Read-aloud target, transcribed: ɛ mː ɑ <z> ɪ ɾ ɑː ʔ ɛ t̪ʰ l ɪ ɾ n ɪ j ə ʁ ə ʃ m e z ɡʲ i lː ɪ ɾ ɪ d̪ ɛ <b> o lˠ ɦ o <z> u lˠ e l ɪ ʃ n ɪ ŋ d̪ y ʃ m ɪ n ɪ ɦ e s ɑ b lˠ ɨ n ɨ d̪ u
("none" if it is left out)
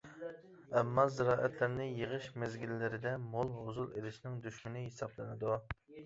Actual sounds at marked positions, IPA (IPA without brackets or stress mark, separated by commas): z, m, z